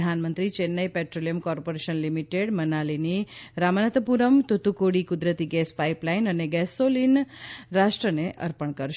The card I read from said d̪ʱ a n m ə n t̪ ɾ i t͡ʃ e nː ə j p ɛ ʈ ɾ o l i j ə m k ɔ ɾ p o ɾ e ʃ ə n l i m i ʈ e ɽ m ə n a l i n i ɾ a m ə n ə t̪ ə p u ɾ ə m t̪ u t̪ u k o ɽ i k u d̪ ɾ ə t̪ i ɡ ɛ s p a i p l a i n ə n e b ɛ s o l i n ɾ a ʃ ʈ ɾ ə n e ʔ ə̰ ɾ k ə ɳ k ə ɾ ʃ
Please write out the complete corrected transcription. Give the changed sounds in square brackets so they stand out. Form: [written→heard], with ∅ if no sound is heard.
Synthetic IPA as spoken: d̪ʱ a n m ə n t̪ ɾ i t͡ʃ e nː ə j p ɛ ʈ ɾ o l i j ə m k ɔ ɾ p o ɾ e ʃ ə n l i m i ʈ e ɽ m ə n a l i n i ɾ a m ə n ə t̪ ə p u ɾ ə m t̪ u t̪ u k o ɽ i k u d̪ ɾ ə t̪ i ɡ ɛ s p a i p l a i n ə n e [b→ɡ] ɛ s o l i n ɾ a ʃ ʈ ɾ ə n e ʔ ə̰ ɾ [k→p] ə ɳ k ə ɾ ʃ